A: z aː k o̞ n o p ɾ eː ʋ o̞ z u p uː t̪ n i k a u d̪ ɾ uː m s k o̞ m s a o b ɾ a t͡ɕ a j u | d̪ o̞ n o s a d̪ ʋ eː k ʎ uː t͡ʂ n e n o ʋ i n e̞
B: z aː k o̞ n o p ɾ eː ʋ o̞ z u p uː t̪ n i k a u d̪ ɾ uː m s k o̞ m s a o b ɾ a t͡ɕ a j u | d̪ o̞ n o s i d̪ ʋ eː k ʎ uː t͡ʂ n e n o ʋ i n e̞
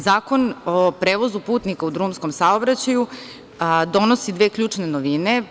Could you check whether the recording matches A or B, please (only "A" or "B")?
B